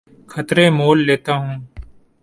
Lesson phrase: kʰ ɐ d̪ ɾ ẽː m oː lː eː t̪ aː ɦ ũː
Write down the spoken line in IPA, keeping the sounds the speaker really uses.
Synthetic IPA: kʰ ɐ t̪ ɾ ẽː m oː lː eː t̪ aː ɦ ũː